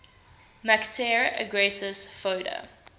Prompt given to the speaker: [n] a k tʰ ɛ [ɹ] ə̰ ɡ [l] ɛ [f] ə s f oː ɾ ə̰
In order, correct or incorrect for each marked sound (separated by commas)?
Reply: incorrect, correct, incorrect, incorrect